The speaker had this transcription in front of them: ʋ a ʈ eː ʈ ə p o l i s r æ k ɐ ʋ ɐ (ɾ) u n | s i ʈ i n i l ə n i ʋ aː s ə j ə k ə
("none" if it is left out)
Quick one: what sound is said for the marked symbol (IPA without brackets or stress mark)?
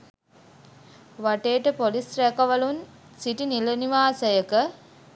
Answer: l